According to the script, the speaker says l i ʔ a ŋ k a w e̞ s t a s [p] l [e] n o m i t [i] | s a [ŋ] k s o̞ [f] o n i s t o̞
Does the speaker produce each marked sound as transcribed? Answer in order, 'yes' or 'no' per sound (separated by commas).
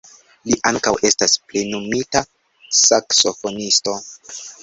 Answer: yes, yes, no, no, yes